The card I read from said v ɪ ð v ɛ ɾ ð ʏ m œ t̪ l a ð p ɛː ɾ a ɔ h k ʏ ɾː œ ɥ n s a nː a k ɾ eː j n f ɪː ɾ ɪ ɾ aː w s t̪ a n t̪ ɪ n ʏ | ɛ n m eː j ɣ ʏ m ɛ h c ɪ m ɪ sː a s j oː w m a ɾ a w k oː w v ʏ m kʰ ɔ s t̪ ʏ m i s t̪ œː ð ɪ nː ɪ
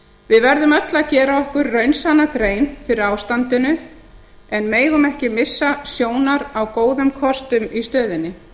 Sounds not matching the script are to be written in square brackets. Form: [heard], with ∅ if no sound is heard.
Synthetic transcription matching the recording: v ɪ ð v ɛ ɾ ð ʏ m œ t̪ l a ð [c] ɛː ɾ a ɔ h k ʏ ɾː œ ɥ n s a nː a k ɾ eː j n f [ɪ] ɾ ɪ ɾ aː w s t̪ a n t̪ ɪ n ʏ | ɛ n m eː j ɣ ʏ m ɛ h c ɪ m ɪ sː a s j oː w [n] a ɾ a w k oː w [ð] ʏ m kʰ ɔ s t̪ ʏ m i s t̪ œː ð ɪ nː ɪ